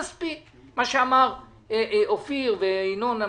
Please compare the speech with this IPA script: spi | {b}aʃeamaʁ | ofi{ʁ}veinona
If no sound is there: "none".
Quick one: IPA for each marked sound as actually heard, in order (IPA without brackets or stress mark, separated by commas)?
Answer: m, ʁ